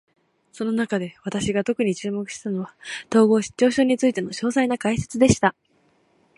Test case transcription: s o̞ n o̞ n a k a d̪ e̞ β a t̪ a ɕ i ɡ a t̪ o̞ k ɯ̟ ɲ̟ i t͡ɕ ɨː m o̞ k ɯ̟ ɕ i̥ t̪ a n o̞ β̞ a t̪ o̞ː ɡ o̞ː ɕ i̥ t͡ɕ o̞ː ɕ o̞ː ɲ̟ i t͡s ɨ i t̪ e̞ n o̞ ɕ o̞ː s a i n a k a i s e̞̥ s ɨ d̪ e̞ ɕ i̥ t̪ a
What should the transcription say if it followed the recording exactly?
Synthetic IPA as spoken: s o̞ n o̞ n a k a d̪ e̞ β a t̪ a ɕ i ɡ a t̪ o̞ k ɯ̟ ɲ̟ i t͡ɕ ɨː m o̞ k ɯ̟ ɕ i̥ t̪ a n o̞ β̞ a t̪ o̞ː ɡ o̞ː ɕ i̥ t͡ɕ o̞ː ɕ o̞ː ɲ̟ i t͡s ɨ i t̪ e̞ n o̞ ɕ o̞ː s a i n a k a i s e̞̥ t͡s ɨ d̪ e̞ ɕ i̥ t̪ a